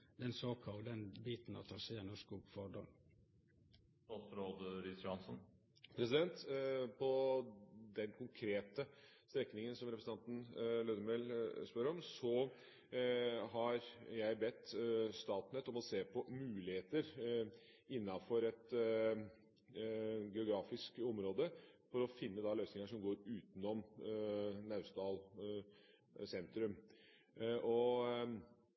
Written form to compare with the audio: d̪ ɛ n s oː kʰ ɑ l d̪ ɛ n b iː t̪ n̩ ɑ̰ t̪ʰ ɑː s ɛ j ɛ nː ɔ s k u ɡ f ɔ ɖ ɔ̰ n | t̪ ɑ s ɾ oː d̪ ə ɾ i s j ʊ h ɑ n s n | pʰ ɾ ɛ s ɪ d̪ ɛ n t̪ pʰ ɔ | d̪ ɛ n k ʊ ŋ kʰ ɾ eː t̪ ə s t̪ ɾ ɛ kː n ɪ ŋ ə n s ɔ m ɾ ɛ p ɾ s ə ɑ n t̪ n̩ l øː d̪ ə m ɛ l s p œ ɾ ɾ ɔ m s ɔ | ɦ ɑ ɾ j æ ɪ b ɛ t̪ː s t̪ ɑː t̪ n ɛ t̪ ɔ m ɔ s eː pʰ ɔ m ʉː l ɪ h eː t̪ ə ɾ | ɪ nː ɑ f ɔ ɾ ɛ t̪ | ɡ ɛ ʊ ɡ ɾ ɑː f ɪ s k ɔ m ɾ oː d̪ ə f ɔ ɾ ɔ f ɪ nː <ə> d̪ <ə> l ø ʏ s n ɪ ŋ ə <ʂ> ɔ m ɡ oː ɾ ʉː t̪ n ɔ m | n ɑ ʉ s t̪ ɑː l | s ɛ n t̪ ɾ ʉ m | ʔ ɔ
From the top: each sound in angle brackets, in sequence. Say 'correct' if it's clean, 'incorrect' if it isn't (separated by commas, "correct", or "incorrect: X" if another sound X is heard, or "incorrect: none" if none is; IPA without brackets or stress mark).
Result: correct, incorrect: ɑ, correct